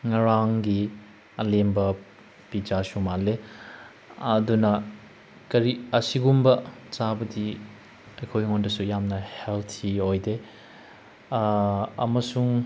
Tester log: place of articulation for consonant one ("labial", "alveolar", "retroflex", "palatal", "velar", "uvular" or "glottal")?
velar